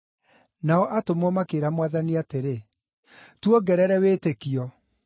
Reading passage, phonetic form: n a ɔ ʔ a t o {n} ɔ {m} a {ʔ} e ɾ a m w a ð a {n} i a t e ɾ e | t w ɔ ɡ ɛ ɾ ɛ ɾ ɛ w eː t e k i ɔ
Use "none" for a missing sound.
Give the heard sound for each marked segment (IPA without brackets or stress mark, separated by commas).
m, m, k, n